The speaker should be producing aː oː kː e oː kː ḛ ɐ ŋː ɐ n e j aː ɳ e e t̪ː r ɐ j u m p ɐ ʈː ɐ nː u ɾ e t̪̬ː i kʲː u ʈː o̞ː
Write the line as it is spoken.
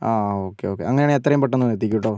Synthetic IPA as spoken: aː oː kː e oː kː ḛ ɐ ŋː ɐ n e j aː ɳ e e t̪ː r ɐ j u m p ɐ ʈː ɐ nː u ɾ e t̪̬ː i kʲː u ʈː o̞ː

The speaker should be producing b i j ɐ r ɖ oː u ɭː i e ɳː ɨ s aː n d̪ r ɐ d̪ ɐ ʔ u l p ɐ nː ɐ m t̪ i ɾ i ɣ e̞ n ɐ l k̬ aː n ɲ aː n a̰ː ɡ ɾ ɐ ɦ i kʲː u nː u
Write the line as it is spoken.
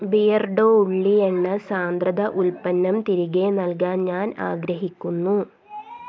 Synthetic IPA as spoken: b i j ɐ r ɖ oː u ɭː i e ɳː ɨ s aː n d̪ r ɐ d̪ ɐ ʔ u l p ɐ nː ɐ m t̪ i ɾ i ɣ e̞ n ɐ l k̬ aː n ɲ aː n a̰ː ɡ ɾ ɐ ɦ i kʲː u nː u

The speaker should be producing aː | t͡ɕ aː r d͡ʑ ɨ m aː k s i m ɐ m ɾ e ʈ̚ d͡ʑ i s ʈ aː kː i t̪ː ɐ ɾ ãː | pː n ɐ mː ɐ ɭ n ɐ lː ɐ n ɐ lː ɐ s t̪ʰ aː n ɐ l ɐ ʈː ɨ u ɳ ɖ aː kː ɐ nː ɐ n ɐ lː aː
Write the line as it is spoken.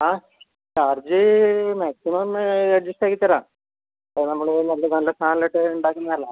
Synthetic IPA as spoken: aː | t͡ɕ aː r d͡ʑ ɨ m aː k s i m ɐ m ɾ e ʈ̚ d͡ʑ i s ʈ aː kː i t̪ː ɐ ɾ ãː | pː n ɐ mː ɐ ɭ n ɐ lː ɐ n ɐ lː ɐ s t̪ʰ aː n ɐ l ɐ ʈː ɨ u ɳ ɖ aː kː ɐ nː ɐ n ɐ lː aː

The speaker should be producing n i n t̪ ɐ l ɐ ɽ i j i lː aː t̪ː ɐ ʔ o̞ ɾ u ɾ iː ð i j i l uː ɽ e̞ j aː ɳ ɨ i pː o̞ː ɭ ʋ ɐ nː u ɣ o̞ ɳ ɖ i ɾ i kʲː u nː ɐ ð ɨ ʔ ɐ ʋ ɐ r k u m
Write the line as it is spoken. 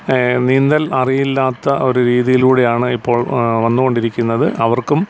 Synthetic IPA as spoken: n i n d̪ ɐ l ɐ r i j i lː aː t̪ː ɐ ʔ o̞ ɾ u ɾ iː ð i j i l uː ɽ e̞ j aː ɳ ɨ i pː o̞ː ɭ ʋ ɐ nː u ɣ o̞ ɳ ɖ i ɾ i kʲː u nː ɐ ð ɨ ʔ ɐ ʋ ɐ r k u m

